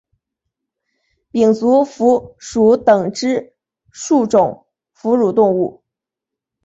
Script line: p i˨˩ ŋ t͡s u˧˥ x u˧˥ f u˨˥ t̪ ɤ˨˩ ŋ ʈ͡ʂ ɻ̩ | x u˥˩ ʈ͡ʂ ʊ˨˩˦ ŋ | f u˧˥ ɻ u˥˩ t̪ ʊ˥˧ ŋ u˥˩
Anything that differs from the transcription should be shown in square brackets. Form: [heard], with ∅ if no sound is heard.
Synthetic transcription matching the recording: p i˨˩ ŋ t͡s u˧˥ [f] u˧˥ [ʂ] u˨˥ t̪ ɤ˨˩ ŋ ʈ͡ʂ ɻ̩ | [ʂ] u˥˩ ʈ͡ʂ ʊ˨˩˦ ŋ | f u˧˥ ɻ [u˨˩] t̪ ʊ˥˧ ŋ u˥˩

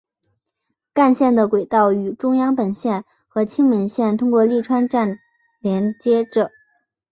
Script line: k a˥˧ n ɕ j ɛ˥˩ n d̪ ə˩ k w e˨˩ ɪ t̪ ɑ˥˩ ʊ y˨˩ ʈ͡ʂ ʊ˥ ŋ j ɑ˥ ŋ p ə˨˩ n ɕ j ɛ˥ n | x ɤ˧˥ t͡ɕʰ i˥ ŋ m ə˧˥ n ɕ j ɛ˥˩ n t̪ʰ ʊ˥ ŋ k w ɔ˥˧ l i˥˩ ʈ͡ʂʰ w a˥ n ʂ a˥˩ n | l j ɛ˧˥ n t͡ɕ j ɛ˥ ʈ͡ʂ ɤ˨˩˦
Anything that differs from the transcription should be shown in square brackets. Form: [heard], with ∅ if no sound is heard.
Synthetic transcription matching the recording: k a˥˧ n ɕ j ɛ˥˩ n d̪ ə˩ k w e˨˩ ɪ t̪ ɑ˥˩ ʊ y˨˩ ʈ͡ʂ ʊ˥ ŋ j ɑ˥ ŋ p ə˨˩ n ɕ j [ɛ˥˩] n | x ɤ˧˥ t͡ɕʰ i˥ ŋ m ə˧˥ n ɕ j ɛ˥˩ n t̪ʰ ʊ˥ ŋ k w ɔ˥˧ l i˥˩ ʈ͡ʂʰ w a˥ n [ʈ͡ʂ] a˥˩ n | l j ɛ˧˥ n t͡ɕ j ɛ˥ ʈ͡ʂ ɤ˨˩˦

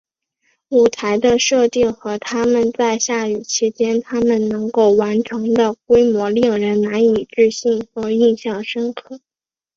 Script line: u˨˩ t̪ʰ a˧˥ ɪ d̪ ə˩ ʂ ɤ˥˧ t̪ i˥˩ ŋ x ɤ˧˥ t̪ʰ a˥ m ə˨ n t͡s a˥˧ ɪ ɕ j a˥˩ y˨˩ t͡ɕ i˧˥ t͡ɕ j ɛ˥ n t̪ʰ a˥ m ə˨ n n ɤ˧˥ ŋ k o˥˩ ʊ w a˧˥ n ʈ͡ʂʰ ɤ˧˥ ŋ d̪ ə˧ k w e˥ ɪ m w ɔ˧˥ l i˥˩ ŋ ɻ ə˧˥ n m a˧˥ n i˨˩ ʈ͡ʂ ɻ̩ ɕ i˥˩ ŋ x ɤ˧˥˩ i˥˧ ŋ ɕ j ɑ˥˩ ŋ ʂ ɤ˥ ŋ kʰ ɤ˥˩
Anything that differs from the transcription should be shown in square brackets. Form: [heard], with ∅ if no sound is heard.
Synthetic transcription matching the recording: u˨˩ t̪ʰ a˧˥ ɪ d̪ [ə˧] ʂ ɤ˥˧ t̪ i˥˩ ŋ x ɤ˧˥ t̪ʰ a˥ m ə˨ n t͡s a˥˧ ɪ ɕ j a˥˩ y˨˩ [t͡ɕʰ] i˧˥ t͡ɕ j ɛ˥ n t̪ʰ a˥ m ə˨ n n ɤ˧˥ ŋ k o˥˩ ʊ w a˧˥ n ʈ͡ʂʰ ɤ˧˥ ŋ d̪ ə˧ k w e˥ ɪ m w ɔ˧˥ l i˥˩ ŋ ɻ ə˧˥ n [n] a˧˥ n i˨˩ ʈ͡ʂ ɻ̩ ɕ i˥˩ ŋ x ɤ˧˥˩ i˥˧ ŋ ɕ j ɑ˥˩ ŋ ʂ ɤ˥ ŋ kʰ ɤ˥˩

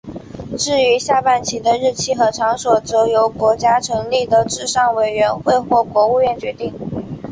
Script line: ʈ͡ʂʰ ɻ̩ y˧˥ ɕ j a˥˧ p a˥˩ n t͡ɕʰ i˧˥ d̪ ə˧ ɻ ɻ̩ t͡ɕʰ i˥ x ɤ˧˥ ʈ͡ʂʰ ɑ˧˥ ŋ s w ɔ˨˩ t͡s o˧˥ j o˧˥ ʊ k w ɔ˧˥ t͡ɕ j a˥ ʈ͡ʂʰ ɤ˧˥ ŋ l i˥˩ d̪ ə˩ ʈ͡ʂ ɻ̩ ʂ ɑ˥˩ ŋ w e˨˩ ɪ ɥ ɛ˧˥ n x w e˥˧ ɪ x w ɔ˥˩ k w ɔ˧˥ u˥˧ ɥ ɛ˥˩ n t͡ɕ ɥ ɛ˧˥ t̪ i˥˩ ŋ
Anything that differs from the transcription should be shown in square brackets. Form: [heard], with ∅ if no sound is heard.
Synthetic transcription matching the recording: [ʈ͡ʂ] ɻ̩ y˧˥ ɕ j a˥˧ p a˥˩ n t͡ɕʰ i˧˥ d̪ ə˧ ɻ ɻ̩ t͡ɕʰ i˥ x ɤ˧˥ ʈ͡ʂʰ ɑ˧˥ ŋ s w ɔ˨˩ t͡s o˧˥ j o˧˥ ʊ k w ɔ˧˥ t͡ɕ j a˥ ʈ͡ʂʰ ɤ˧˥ ŋ l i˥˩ d̪ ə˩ ʈ͡ʂ ɻ̩ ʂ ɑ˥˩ ŋ w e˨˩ ɪ ɥ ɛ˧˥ n x w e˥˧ ɪ x w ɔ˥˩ k w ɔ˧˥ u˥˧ ɥ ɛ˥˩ n t͡ɕ ɥ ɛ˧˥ t̪ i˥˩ ŋ

